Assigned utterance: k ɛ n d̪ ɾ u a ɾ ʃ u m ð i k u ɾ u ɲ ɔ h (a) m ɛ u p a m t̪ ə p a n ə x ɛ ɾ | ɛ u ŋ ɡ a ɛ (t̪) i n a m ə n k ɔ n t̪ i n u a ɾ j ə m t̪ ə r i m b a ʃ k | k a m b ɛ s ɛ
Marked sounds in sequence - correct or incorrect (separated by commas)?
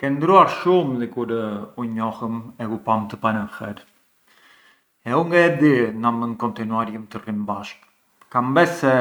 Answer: incorrect, incorrect